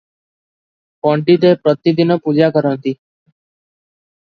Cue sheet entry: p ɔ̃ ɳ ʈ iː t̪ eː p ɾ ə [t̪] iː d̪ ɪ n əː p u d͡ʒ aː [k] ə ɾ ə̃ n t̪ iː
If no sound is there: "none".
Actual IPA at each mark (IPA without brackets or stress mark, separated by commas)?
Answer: t̪, k